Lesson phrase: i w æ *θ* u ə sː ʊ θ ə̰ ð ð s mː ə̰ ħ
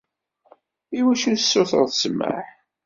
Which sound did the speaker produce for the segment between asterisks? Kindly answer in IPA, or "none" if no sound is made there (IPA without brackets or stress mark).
ʃ